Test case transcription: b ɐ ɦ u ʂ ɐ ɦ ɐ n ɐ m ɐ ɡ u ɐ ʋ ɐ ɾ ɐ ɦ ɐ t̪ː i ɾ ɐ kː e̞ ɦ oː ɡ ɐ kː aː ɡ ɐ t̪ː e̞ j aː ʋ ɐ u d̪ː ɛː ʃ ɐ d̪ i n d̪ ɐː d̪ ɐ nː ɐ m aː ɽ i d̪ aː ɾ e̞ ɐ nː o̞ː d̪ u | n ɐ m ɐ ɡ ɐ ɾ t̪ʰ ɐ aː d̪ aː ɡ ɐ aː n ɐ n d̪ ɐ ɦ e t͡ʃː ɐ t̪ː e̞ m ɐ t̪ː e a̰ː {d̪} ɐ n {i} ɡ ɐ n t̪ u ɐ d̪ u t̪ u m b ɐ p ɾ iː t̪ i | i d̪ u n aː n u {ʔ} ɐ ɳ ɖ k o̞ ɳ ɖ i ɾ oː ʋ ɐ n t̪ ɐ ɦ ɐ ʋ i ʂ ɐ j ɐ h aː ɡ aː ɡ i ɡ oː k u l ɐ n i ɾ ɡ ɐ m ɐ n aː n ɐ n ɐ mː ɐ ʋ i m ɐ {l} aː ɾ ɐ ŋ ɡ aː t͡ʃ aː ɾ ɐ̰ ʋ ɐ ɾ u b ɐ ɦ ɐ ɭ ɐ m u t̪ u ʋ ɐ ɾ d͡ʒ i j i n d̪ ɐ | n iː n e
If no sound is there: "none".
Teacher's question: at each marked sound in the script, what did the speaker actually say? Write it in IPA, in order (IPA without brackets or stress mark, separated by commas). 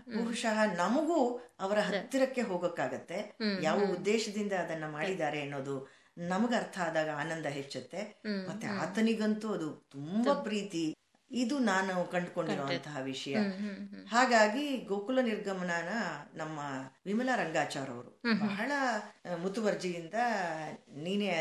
t̪, i, k, l